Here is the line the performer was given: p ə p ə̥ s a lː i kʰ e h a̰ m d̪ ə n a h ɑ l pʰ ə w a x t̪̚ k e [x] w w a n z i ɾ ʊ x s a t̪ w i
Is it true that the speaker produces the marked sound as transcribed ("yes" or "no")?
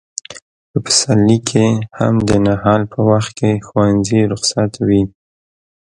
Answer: yes